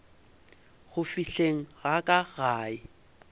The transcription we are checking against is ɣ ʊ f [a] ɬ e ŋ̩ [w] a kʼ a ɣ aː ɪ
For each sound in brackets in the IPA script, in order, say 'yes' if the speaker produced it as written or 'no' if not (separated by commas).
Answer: no, no